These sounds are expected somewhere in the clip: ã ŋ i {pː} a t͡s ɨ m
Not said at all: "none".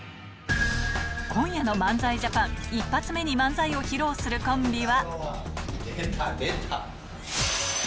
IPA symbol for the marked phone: pː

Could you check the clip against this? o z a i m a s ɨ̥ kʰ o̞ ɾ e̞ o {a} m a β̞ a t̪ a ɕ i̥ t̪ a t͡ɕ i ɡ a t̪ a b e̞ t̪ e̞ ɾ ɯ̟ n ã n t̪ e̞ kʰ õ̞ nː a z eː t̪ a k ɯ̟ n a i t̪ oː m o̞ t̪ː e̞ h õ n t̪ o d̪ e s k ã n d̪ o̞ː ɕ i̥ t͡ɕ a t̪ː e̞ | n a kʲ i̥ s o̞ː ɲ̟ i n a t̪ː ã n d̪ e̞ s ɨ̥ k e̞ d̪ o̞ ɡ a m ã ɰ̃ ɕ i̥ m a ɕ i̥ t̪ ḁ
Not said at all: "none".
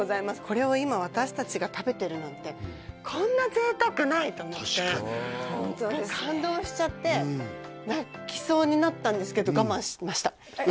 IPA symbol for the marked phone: i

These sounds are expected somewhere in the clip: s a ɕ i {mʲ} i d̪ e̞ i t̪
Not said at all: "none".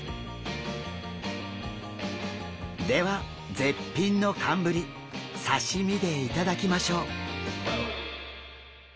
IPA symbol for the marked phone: mʲ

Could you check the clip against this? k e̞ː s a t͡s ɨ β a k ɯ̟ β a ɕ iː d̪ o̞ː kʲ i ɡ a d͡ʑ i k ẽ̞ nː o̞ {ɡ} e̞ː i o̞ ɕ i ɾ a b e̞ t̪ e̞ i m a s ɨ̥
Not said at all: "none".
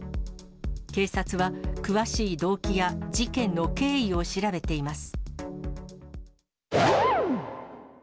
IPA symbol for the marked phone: k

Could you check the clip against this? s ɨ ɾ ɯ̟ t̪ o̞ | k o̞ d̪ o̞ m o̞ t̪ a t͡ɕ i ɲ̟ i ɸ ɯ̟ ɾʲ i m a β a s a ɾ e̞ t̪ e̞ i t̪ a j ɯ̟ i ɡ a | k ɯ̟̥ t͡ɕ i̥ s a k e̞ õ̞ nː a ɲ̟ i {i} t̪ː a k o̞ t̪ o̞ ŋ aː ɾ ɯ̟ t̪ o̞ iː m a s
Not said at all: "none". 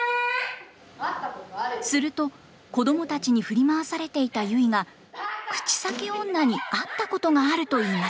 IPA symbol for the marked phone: a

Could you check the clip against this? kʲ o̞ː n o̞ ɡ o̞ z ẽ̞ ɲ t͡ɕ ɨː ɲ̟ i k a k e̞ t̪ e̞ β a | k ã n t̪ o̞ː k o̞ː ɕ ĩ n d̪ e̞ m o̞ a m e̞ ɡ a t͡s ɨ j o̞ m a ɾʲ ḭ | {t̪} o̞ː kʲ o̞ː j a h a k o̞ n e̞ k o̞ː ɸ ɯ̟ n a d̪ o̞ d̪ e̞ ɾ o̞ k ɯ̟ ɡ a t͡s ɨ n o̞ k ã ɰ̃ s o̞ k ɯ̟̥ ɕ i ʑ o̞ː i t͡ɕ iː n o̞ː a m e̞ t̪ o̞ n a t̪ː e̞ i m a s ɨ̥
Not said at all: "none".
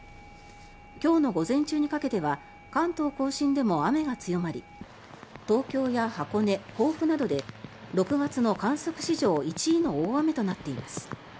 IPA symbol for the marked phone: t̪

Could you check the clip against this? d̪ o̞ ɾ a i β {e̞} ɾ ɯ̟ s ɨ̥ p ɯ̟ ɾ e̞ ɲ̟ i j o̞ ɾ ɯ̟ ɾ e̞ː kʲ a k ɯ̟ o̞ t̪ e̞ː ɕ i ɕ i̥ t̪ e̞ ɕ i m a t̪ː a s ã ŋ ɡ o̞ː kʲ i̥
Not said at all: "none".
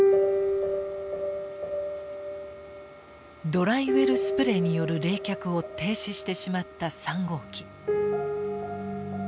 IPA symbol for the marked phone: e̞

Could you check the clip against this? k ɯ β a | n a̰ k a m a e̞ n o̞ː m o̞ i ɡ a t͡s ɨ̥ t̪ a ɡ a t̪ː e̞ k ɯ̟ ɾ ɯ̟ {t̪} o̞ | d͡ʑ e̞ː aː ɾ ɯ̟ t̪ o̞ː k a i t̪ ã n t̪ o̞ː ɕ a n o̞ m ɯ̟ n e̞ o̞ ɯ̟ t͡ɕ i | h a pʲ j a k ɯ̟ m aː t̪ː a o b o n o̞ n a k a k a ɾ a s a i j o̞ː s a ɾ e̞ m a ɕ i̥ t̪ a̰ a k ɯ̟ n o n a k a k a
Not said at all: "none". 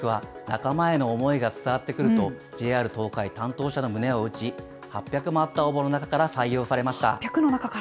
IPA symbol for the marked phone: t̪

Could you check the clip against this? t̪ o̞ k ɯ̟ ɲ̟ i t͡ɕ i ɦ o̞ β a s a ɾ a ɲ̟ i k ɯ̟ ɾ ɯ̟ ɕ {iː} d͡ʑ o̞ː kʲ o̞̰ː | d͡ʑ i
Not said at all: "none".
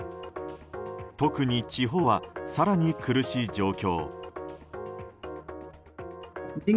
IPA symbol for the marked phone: iː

